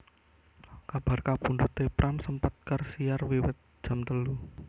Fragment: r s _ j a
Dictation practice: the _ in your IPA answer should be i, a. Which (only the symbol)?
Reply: i